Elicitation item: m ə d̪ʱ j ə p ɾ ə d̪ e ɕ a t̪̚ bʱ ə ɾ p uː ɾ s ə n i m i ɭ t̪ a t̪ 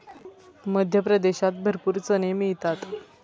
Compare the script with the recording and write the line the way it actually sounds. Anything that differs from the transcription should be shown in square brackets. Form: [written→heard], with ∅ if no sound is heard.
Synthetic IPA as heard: m ə d̪ʱ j ə p ɾ ə d̪ e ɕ a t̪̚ bʱ ə ɾ p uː ɾ [s→t͡s] ə n [i→e] m i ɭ t̪ a t̪